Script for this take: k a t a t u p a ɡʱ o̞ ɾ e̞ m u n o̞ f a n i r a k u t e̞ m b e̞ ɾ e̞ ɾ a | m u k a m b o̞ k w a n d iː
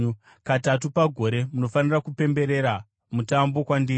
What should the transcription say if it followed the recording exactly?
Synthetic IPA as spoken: k a t a t u p a ɡʱ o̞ ɾ e̞ m u n o̞ f a n i r a k u p e̞ m b e̞ ɾ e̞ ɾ a | m u t a m b o̞ k w a n d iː